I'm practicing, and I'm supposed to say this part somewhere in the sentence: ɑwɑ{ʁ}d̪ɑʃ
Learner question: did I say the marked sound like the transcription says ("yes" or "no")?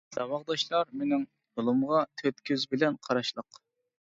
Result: yes